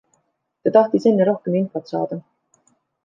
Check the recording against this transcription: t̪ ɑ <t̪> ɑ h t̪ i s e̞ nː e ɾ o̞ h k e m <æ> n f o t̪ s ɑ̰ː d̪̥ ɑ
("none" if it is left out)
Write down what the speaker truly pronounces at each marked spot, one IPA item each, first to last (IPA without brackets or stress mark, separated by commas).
t̪, i